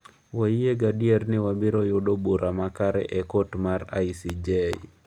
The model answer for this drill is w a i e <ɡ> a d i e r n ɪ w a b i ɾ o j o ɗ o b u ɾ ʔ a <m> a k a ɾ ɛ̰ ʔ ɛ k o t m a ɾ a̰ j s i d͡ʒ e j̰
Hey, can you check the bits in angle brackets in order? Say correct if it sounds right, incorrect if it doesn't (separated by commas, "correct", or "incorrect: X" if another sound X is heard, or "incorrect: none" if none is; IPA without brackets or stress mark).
correct, correct